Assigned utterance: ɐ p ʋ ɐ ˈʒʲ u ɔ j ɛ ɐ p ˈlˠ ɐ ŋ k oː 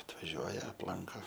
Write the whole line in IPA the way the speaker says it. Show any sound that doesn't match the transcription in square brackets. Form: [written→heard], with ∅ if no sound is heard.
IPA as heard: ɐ [p→t] ʋ ɐ ˈʒʲ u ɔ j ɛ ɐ p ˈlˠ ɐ ŋ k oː